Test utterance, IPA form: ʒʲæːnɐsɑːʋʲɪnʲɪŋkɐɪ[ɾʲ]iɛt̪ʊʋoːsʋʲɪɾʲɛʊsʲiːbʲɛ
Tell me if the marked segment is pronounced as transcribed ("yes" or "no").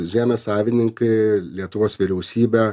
no